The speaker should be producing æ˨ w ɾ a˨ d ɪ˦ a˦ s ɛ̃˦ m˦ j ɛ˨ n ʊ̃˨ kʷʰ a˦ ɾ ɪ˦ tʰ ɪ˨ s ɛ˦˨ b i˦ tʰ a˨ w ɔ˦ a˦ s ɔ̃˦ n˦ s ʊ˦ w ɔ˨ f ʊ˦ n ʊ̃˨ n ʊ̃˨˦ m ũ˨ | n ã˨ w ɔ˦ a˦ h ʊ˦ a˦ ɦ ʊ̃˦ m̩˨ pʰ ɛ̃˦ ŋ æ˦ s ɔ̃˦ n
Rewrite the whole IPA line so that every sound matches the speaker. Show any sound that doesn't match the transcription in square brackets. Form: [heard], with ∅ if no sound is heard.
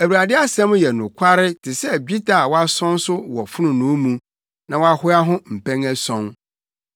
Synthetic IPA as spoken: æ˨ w ɾ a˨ d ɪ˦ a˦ s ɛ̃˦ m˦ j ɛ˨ n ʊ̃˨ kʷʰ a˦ ɾ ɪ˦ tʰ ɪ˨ s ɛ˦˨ b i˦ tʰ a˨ w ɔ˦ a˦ s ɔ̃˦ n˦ s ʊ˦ w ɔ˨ f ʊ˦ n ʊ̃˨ n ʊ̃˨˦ m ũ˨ | n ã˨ w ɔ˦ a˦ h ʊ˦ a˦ ɦ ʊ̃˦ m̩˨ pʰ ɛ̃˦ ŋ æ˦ s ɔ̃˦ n

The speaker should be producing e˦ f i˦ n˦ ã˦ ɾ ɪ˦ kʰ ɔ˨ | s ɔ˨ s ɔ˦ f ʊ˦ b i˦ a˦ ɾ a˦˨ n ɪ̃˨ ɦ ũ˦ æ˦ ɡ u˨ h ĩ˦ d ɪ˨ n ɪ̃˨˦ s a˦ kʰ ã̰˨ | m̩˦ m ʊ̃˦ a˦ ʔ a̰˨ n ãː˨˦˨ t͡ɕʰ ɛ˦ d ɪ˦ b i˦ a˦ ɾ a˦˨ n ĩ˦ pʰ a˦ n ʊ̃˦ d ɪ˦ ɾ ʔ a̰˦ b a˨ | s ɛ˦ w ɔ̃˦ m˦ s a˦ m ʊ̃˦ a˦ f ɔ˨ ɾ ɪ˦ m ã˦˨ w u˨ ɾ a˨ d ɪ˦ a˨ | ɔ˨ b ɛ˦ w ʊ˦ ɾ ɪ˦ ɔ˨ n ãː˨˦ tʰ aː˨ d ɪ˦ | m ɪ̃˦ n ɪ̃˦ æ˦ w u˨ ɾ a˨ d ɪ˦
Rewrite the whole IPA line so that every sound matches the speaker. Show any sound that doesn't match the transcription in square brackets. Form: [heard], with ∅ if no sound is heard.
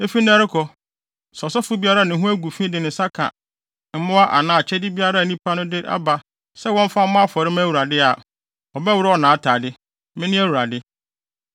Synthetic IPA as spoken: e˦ f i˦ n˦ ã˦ ɾ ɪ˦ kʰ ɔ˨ | s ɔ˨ s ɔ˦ f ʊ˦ b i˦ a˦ ɾ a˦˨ n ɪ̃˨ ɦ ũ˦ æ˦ ɡ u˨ [f] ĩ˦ d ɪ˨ n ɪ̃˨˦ s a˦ kʰ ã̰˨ | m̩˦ m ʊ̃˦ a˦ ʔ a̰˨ n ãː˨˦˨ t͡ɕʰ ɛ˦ d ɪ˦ b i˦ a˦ ɾ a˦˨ n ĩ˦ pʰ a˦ n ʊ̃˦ d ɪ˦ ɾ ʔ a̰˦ b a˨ | s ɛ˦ w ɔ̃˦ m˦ [f] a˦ m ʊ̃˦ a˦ f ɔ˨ ɾ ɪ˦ m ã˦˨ w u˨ ɾ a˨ d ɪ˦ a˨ | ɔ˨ b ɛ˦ w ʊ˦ ɾ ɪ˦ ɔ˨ n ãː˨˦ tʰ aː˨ d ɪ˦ | m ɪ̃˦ n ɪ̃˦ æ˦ w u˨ ɾ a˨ d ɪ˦

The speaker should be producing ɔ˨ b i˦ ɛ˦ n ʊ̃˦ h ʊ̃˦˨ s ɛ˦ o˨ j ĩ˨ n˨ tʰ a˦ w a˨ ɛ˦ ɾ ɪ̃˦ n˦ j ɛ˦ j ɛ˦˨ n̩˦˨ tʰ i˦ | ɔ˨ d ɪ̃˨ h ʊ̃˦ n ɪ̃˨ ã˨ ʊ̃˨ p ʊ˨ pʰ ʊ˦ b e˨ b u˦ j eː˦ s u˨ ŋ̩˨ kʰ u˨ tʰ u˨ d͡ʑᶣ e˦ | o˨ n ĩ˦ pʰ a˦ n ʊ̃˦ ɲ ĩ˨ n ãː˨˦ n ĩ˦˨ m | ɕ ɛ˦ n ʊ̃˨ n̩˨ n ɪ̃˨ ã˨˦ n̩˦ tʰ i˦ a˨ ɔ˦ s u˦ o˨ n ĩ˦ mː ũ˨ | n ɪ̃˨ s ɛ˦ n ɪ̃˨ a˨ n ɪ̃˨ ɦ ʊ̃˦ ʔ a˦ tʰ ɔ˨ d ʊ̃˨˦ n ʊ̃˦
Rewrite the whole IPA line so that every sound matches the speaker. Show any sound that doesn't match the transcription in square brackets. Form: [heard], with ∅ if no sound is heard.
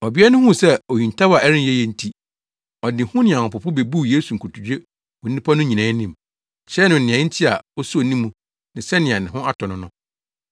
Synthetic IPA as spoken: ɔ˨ b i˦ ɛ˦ n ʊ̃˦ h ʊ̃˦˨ s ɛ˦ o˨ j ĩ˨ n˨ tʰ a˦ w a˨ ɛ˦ ɾ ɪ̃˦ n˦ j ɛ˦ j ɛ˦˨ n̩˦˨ tʰ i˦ | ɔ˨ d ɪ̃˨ h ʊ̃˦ n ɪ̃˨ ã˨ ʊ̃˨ p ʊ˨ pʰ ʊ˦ b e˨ b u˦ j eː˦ s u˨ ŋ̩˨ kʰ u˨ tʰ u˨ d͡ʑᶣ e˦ | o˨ n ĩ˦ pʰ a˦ n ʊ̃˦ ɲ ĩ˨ n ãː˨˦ n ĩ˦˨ m | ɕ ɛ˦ n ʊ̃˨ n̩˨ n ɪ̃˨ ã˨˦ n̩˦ tʰ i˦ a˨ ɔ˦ s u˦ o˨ n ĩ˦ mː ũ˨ | n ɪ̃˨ s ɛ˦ n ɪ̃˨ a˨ n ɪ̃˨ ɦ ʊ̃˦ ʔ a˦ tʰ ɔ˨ [n] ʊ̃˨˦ n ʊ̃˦

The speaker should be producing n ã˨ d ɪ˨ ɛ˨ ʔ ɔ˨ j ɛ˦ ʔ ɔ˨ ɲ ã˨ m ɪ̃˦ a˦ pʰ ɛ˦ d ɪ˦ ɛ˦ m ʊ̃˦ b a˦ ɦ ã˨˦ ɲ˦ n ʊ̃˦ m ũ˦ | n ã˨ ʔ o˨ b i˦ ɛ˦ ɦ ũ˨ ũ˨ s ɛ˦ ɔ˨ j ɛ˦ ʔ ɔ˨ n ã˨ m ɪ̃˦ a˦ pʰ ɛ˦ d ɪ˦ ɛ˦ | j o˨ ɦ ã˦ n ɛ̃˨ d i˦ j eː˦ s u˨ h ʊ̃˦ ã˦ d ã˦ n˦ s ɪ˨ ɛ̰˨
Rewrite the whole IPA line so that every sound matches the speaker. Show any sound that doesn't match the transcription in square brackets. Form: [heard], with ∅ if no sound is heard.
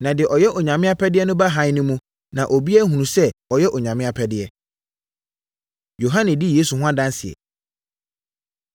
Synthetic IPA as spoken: n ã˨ d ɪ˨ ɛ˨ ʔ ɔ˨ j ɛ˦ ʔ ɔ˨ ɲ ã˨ m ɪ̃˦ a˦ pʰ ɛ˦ d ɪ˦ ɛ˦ [n] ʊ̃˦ b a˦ ɦ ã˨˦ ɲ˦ n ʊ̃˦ m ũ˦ | n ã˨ ʔ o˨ b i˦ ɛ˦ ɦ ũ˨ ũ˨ s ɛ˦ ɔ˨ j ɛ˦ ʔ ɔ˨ [ɲ] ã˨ m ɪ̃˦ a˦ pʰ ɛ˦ d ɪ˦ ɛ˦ | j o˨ ɦ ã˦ n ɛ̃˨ d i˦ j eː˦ s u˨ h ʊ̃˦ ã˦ d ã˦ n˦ s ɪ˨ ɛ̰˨

